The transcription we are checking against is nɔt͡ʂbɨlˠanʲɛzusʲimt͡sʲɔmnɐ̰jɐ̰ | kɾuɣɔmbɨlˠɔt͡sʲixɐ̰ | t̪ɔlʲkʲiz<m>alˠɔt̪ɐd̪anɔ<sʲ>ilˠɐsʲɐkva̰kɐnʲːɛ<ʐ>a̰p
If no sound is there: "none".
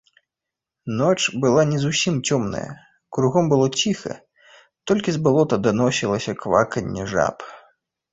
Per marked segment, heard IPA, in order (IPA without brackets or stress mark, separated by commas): b, sʲ, ʐ